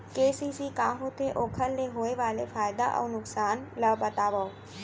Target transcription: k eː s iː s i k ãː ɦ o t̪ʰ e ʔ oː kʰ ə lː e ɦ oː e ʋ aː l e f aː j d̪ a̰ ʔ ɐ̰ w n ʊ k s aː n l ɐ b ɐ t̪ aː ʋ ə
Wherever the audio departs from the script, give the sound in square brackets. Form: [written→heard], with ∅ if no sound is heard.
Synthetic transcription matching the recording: k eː s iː s i k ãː ɦ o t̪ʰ e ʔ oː kʰ ə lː e ɦ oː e ʋ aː l e f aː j d̪ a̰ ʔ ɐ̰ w n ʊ k s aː n l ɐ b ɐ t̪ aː ʋ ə